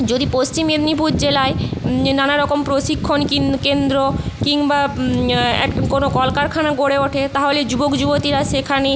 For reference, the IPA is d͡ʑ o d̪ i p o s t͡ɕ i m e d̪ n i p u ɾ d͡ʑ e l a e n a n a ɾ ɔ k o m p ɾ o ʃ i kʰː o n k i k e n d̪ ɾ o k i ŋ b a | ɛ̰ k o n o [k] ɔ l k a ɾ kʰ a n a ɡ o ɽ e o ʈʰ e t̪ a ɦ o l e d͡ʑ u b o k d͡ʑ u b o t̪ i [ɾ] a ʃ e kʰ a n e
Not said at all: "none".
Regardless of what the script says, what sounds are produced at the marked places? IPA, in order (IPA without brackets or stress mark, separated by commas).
k, ɾ